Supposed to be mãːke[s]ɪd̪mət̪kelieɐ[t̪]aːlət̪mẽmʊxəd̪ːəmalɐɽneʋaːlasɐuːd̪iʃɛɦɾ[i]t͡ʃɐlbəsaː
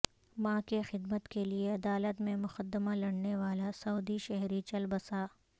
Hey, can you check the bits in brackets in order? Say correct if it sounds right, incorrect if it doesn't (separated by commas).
incorrect, incorrect, correct